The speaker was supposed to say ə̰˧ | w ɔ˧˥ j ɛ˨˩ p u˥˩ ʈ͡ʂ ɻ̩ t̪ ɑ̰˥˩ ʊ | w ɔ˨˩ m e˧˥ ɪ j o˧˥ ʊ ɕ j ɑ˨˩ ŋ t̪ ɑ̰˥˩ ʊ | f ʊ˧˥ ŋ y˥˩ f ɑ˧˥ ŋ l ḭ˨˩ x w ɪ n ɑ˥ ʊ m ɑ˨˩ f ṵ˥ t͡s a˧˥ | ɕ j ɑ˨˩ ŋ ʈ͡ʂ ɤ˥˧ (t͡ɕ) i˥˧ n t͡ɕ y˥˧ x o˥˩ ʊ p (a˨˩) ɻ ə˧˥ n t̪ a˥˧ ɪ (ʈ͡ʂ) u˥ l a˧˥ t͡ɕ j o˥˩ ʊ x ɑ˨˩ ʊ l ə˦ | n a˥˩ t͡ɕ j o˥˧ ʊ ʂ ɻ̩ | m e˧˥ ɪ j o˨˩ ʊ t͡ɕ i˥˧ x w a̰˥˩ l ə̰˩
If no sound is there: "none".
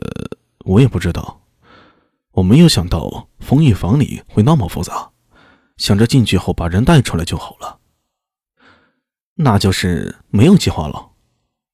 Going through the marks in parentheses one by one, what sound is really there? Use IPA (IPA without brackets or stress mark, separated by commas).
t͡ɕ, a˨˩, ʈ͡ʂʰ